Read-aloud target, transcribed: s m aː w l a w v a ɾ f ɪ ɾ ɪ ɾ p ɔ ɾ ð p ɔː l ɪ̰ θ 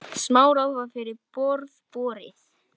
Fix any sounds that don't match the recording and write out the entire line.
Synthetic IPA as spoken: s m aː w ɾ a w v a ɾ f ɪ ɾ ɪ ɾ p ɔ ɾ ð p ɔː ɾ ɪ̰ θ

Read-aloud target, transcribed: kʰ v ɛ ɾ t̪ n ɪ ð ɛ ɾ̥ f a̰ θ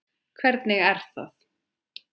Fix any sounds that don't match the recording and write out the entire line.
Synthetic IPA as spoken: kʰ v ɛ ɾ t̪ n ɪ ɣ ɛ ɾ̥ θ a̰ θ

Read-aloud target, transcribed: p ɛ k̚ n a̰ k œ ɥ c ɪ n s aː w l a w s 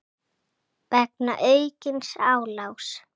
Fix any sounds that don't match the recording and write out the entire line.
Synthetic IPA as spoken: p ɛ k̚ n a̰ ʔ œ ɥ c ɪ n s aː w l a w s

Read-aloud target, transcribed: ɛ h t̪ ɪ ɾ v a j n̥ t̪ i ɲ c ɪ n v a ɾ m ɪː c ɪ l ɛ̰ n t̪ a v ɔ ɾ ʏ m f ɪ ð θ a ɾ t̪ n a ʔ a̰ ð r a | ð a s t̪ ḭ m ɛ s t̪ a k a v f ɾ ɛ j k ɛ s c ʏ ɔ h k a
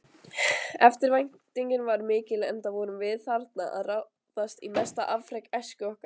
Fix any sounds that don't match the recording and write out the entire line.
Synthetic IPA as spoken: ɛ f t̪ ɪ ɾ v a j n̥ t̪ i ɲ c ɪ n v a ɾ m ɪː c ɪ l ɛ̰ n t̪ a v ɔ ɾ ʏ m v ɪ ð θ a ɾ t̪ n a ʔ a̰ ð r a | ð a s t̪ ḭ m ɛ s t̪ a ʔ a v f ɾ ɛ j k ɛ s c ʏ ɔ h k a

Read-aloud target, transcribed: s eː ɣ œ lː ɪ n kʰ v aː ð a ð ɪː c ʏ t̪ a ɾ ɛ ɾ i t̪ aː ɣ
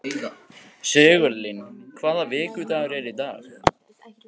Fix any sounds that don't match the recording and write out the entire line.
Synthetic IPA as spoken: s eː ɣ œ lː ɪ n kʰ v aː ð a v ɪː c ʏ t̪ a ɾ ɛ ɾ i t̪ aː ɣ

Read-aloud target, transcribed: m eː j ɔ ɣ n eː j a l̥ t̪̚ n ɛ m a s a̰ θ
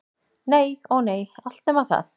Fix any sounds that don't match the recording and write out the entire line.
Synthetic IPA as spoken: n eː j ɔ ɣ n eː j a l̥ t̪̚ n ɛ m a θ a̰ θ

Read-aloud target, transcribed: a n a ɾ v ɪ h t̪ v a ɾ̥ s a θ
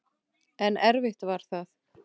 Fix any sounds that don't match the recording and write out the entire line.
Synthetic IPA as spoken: ɛ n ɛ ɾ v ɪ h t̪ v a ɾ̥ θ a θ

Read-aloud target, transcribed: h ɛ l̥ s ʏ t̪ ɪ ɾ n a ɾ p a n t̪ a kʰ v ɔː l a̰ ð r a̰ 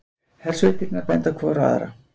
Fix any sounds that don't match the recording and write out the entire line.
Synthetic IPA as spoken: h ɛ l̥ s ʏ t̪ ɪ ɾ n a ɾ p ɛ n t̪ a kʰ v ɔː ɾ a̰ ð ɾ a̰

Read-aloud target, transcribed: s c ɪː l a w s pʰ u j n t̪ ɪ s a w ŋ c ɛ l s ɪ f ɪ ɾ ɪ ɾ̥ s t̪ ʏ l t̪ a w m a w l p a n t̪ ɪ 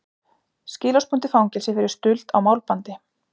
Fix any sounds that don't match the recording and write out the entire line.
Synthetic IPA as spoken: s c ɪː l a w s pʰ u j n t̪ ɪ f a w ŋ c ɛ l s ɪ f ɪ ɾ ɪ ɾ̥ s t̪ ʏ l t̪ a w m a w l p a n t̪ ɪ

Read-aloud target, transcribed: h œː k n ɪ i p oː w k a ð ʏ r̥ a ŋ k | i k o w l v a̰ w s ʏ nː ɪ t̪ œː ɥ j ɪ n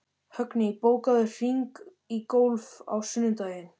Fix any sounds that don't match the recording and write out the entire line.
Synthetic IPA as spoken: h œ k n ɪ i p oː w k a ð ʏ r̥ i ŋ k | i k o w l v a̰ w s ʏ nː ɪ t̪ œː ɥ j ɪ n

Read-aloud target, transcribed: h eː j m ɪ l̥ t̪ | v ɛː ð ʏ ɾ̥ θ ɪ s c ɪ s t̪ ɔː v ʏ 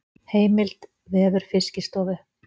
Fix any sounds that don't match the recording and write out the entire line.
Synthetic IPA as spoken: h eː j m ɪ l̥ t̪ | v ɛː ð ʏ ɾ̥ f ɪ s c ɪ s t̪ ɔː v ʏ

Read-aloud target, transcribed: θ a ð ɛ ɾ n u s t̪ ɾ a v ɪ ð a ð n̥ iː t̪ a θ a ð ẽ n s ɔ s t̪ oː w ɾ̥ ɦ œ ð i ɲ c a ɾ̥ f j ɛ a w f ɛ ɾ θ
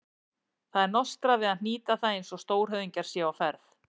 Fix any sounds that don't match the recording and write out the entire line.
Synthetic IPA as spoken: θ a ð ɛ ɾ n ɔ s t̪ ɾ a v ɪ ð a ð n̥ iː t̪ a θ a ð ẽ n s ɔ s t̪ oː w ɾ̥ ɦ œ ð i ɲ c a ɾ̥ s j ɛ a w f ɛ ɾ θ

